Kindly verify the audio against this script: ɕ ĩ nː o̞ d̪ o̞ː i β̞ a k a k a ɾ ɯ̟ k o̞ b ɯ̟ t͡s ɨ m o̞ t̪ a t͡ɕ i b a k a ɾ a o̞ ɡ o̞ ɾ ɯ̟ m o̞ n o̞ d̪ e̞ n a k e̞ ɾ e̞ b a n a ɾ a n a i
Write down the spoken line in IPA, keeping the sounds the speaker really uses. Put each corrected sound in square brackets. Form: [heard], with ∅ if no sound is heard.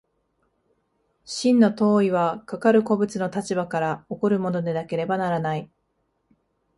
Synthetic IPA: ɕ ĩ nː o̞ [t̪] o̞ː i β̞ a k a k a ɾ ɯ̟ k o̞ b ɯ̟ t͡s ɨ [n] o̞ t̪ a t͡ɕ i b a k a ɾ a o̞ [k] o̞ ɾ ɯ̟ m o̞ n o̞ d̪ e̞ n a k e̞ ɾ e̞ b a n a ɾ a n a i